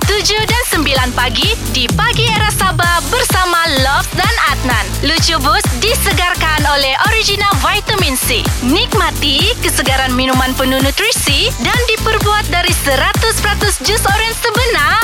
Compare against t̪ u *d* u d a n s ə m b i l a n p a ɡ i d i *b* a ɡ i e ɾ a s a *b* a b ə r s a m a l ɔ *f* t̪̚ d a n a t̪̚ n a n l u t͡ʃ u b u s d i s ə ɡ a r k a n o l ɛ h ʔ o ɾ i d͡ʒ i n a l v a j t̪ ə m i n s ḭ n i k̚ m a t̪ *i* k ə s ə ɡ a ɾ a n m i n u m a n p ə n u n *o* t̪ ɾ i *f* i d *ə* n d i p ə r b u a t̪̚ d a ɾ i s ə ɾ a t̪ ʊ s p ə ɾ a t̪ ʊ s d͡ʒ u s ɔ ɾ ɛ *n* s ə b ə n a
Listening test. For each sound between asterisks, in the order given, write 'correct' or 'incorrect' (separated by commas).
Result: incorrect, incorrect, correct, correct, correct, incorrect, incorrect, incorrect, correct